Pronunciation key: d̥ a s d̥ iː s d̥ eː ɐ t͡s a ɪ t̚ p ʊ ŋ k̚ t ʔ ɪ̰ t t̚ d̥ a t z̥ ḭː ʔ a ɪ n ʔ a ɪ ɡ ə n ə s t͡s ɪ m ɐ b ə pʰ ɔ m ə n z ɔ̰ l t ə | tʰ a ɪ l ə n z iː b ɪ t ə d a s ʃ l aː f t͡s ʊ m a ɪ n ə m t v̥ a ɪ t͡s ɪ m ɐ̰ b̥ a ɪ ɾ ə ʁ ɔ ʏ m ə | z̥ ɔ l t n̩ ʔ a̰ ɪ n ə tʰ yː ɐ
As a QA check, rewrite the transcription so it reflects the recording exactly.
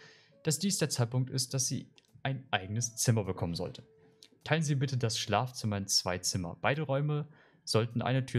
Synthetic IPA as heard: d̥ a s d̥ iː s d̥ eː ɐ t͡s a ɪ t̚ p ʊ ŋ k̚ t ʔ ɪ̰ s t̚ d̥ a s z̥ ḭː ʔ a ɪ n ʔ a ɪ ɡ ə n ə s t͡s ɪ m ɐ b ə kʰ ɔ m ə n z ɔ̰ l t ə | tʰ a ɪ l ə n z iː b ɪ t ə d a s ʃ l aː f t͡s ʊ m a ɪ n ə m t͡s v̥ a ɪ t͡s ɪ m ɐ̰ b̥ a ɪ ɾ ə ʁ ɔ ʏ m ə | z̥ ɔ l t n̩ ʔ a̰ ɪ n ə tʰ yː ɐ